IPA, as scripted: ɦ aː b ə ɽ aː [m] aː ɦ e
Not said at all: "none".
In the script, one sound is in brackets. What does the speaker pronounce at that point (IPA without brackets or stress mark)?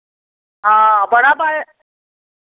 b